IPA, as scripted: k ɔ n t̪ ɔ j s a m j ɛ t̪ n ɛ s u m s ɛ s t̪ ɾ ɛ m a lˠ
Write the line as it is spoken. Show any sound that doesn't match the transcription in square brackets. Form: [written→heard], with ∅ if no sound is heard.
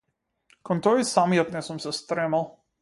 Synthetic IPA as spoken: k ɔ n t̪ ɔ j s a m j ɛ t̪ n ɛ s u m s ɛ s t̪ ɾ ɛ m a lˠ

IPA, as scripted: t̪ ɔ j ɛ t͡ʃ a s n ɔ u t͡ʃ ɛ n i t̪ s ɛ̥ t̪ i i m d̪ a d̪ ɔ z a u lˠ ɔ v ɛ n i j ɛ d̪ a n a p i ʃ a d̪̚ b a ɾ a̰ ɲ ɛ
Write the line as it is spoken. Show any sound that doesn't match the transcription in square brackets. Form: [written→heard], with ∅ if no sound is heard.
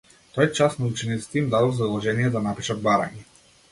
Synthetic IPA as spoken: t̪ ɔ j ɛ t͡ʃ a s n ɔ u t͡ʃ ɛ n i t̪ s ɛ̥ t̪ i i m d̪ a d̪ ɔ z a u lˠ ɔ [v→ʒ] ɛ n i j ɛ d̪ a n a p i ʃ a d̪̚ b a ɾ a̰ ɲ ɛ

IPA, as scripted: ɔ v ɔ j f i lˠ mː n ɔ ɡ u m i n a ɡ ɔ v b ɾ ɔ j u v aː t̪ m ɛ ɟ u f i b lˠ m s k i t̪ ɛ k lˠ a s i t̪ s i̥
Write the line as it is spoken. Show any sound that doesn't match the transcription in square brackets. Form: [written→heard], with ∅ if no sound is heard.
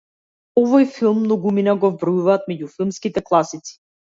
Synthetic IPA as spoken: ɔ v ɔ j f i lˠ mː n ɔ ɡ u m i n a ɡ ɔ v b ɾ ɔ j u v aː t̪ m ɛ ɟ u f i [b→∅] lˠ m s k i t̪ ɛ k lˠ a s i t̪ s i̥

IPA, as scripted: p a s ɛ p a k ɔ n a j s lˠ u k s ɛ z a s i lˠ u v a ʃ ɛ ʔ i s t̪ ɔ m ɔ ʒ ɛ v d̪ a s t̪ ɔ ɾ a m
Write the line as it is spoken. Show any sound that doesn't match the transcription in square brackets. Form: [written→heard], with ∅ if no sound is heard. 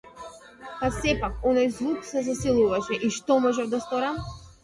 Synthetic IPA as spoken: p a s ɛ p a k ɔ n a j [s→z] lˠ u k s ɛ z a s i lˠ u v a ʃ ɛ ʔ i [s→ʃ] t̪ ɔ m ɔ ʒ ɛ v d̪ a s t̪ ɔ ɾ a m

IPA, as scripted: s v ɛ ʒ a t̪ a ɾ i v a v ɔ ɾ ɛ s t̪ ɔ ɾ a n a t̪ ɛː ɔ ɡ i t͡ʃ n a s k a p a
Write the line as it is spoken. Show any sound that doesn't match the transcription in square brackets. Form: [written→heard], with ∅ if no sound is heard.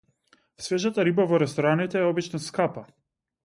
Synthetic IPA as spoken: s v ɛ ʒ a t̪ a ɾ i [v→b] a v ɔ ɾ ɛ s t̪ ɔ ɾ a n [a→i] t̪ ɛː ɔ [ɡ→b] i t͡ʃ n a s k a p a

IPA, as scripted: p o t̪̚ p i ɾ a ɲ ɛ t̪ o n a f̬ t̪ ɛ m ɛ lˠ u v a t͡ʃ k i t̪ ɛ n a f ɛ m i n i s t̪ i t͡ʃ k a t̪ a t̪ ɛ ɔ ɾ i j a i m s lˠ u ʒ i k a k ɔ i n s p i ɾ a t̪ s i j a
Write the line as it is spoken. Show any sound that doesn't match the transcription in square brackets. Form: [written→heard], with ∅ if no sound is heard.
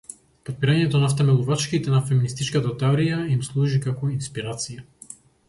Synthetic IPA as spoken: p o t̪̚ p i ɾ a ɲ ɛ t̪ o n a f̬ t̪ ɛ m ɛ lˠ u v a t͡ʃ k i t̪ ɛ n a f ɛ m i n i s t̪ i t͡ʃ k a t̪ a t̪ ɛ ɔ ɾ i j a i m s lˠ u ʒ i k a k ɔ i n s p i ɾ a t̪ s i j a

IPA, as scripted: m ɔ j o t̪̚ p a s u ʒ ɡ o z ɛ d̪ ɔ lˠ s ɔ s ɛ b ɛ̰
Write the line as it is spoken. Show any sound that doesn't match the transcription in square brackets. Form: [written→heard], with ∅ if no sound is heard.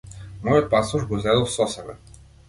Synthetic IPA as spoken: m ɔ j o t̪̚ p a s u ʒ ɡ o z ɛ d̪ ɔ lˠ s ɔ s ɛ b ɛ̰

